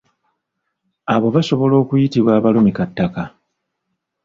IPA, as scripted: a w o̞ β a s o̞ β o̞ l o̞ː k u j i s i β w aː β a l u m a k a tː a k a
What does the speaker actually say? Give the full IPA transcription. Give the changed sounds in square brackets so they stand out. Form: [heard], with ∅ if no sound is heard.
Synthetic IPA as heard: a [β] o̞ β a s o̞ β o̞ l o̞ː k u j i [t] i β w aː β a l u m [i] k a tː a k a